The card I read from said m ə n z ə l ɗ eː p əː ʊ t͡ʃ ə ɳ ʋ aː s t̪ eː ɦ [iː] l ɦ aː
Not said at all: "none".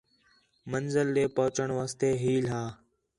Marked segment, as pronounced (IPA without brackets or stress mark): iː